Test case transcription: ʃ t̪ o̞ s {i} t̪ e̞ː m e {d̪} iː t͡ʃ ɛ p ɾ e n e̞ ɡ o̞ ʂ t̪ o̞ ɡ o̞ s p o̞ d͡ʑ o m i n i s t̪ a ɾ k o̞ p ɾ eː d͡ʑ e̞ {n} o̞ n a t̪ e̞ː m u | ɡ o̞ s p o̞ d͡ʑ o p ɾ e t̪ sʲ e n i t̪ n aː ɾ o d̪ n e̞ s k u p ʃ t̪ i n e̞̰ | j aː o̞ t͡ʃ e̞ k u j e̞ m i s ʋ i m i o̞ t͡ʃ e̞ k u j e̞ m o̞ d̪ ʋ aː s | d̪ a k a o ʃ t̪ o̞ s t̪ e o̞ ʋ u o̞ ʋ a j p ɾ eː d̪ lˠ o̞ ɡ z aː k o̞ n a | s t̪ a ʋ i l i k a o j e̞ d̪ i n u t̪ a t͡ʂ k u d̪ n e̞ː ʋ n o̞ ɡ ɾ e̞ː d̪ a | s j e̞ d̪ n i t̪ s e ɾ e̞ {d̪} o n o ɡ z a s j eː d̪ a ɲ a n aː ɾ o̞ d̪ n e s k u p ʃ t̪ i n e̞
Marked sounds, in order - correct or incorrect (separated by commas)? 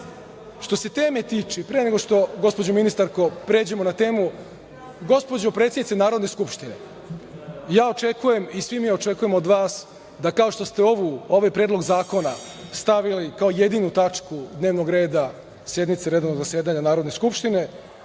incorrect, incorrect, incorrect, correct